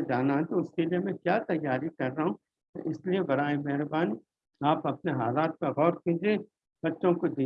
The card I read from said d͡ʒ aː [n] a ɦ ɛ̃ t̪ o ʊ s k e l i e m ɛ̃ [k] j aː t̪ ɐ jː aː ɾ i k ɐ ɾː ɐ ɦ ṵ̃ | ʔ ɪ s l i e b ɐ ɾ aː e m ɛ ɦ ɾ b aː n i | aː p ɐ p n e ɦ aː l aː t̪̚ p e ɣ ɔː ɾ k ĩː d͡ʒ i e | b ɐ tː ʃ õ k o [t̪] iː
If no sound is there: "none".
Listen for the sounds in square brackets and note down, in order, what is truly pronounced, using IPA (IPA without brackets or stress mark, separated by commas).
n, k, d̪